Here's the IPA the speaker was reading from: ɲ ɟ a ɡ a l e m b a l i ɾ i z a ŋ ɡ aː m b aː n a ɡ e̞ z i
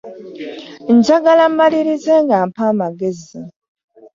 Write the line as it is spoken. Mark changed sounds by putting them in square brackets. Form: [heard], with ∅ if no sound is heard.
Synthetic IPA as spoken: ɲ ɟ a ɡ a l [a] m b a l i ɾ i z [e] ŋ ɡ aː m [p] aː [m] a ɡ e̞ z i